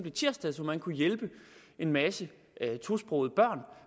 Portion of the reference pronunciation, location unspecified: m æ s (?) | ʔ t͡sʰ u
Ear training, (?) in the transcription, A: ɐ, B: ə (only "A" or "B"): B